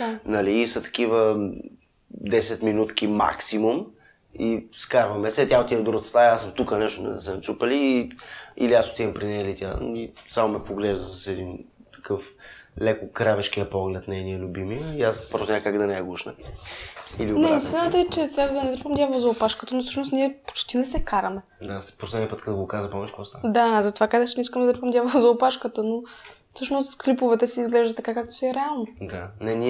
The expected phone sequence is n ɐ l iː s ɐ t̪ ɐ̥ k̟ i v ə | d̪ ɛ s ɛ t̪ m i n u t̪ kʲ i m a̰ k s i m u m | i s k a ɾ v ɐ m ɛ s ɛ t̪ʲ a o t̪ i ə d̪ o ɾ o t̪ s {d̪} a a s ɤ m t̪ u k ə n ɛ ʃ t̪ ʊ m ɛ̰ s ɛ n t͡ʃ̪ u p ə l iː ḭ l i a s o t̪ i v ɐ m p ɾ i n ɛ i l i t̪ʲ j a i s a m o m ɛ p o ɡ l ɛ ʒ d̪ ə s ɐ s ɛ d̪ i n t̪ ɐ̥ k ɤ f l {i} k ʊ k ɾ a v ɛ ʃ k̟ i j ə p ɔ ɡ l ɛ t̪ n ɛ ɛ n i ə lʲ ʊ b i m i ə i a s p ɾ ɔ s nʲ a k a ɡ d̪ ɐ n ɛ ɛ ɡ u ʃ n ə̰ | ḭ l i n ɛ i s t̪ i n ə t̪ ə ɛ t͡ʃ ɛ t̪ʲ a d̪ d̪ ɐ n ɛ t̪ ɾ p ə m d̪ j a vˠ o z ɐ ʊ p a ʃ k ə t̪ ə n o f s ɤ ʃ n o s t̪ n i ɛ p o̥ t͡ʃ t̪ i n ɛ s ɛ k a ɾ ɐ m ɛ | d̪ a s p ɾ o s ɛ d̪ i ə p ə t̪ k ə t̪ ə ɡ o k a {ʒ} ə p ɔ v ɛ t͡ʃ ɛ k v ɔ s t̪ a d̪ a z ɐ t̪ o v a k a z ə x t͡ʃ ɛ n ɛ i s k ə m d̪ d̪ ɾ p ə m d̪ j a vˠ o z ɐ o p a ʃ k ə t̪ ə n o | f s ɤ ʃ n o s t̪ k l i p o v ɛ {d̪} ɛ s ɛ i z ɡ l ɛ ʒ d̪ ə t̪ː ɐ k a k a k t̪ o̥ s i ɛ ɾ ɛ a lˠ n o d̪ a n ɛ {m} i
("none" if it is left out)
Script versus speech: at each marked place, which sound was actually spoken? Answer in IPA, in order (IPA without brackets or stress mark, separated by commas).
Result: t̪, ɛ, z, t̪, n